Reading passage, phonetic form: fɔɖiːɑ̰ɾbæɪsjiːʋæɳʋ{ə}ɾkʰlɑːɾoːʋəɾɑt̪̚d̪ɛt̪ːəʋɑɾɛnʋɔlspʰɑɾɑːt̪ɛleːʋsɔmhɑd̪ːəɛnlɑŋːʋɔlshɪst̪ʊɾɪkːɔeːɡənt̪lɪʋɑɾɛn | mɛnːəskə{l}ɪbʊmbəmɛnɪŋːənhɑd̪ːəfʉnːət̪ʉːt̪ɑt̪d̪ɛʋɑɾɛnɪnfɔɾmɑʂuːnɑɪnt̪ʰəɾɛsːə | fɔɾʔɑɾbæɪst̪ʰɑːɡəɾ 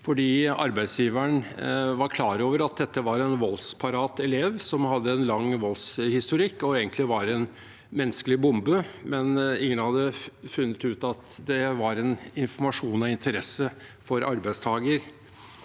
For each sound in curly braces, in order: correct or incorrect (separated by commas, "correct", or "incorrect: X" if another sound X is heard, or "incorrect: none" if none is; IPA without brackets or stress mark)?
incorrect: ɑ, correct